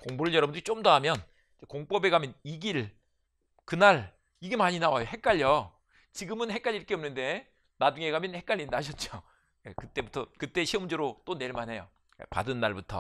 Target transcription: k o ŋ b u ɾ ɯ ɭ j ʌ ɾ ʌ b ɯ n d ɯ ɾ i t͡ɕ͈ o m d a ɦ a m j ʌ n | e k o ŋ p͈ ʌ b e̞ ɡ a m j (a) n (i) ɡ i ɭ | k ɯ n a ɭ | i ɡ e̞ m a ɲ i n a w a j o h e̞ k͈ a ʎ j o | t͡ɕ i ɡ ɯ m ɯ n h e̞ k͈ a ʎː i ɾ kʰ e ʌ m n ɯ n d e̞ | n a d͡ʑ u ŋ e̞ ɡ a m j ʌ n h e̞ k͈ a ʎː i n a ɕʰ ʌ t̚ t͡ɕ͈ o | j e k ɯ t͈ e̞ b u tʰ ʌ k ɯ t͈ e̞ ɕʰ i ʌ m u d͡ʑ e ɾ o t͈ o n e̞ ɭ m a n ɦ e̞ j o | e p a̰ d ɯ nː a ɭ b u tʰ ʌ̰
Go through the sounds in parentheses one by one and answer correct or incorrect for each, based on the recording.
incorrect, correct

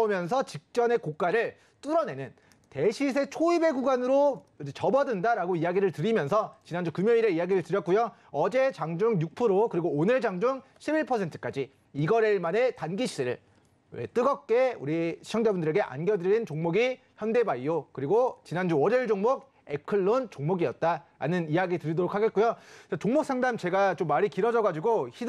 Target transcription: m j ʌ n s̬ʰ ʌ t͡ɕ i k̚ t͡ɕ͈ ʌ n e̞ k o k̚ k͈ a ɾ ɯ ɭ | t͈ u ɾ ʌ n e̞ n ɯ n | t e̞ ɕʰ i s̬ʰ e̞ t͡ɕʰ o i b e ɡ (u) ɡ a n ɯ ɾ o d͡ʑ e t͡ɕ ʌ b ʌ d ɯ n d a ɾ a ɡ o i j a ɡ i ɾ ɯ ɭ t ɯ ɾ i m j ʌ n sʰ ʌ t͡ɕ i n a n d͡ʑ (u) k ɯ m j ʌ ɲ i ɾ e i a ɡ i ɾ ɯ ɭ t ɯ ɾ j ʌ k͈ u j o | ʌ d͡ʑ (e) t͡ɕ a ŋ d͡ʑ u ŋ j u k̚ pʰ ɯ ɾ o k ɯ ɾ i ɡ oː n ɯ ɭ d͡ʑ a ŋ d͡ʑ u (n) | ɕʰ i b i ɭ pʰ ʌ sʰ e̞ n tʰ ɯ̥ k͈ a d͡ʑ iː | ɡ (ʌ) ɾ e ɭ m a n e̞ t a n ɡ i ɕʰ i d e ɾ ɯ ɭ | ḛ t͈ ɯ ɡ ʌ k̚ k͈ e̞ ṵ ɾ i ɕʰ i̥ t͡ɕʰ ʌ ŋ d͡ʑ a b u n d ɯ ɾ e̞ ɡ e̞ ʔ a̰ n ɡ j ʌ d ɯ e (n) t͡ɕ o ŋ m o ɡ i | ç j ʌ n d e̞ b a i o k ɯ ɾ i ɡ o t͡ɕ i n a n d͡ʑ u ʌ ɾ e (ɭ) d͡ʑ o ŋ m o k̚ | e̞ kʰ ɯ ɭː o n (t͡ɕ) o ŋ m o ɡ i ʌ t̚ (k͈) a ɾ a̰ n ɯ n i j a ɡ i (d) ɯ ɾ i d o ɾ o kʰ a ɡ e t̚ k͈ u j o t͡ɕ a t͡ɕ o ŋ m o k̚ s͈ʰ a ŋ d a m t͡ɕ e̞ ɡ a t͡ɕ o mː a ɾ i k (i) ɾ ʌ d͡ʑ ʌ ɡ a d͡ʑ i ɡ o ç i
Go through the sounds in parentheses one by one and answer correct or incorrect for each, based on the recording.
correct, correct, correct, incorrect, correct, correct, correct, correct, incorrect, incorrect, correct

